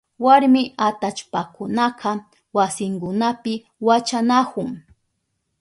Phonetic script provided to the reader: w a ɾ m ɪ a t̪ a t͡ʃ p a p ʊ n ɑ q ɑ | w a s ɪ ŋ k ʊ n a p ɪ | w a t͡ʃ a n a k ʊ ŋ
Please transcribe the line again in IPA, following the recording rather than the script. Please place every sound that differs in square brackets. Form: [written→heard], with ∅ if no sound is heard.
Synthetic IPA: w a ɾ m ɪ a t̪ a t͡ʃ p a [p→k] ʊ n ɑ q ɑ | w a s ɪ ŋ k ʊ n a p ɪ | w a t͡ʃ a n a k ʊ ŋ